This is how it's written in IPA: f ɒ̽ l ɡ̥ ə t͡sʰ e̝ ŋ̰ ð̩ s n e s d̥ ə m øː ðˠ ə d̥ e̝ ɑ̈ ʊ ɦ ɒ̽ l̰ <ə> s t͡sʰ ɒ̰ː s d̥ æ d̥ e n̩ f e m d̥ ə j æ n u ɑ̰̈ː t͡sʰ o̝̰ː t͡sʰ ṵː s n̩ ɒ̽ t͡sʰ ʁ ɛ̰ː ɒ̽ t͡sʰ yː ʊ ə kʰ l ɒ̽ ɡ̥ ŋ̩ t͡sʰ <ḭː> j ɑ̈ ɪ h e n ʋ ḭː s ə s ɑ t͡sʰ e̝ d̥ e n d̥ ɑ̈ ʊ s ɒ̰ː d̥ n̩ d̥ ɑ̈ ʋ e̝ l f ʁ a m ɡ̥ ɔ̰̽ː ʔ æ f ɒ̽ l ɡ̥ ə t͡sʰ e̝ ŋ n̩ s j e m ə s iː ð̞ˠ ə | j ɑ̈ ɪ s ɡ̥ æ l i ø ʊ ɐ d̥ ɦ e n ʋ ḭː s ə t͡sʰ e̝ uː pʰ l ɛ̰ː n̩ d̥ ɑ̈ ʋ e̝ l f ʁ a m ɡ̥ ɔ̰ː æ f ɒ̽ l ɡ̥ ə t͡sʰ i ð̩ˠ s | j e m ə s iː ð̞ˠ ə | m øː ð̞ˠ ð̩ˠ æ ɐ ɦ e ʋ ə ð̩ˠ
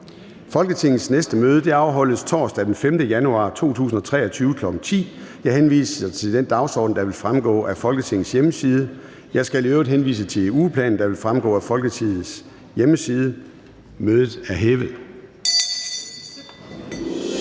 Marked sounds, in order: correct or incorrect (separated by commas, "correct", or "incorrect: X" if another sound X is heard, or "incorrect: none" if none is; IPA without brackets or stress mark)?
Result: correct, correct